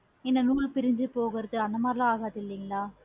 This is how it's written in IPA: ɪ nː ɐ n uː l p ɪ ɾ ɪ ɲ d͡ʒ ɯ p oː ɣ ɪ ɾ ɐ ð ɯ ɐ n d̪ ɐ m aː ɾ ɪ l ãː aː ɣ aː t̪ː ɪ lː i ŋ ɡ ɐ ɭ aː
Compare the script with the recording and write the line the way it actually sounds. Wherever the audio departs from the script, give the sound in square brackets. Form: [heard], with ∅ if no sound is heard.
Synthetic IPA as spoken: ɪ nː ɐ n uː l p ɪ ɾ ɪ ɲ d͡ʒ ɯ p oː ɣ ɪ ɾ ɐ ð ɯ ɐ n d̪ ɐ m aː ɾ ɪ l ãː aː ɣ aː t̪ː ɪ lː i ŋ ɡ ɐ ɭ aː